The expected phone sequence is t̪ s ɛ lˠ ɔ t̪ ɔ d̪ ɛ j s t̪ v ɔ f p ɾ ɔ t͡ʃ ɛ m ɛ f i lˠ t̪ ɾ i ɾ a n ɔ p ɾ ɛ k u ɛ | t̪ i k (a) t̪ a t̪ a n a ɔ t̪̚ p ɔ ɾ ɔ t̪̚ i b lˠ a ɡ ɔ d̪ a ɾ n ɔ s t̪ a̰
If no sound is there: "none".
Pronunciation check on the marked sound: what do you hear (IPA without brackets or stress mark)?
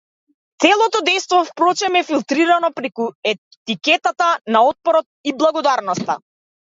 ɛ